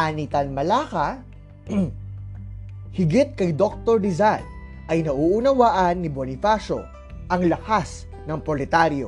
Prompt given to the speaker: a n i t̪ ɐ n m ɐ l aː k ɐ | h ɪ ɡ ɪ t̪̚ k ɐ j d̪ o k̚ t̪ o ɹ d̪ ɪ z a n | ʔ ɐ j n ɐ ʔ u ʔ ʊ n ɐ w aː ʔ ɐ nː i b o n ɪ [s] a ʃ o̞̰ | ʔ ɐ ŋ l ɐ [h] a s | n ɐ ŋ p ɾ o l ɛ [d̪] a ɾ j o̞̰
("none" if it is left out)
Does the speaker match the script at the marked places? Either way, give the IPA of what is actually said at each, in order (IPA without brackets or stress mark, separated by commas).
f, h, t̪